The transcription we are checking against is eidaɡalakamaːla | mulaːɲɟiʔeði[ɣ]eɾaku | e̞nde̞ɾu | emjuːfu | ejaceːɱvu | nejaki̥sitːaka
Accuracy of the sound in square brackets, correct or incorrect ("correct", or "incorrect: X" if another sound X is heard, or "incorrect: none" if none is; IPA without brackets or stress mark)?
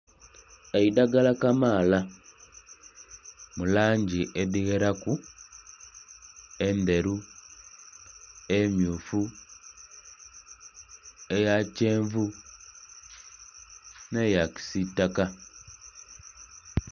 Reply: correct